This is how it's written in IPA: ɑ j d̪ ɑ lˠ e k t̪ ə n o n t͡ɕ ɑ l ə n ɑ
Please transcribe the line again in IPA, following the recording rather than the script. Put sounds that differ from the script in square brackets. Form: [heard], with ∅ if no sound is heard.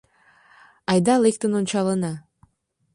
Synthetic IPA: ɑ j d̪ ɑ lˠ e k t̪ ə n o n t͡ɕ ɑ l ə n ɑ